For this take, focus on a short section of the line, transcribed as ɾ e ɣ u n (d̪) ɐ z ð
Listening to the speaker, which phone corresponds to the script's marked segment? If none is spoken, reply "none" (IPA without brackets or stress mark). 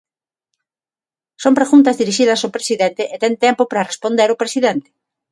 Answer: t̪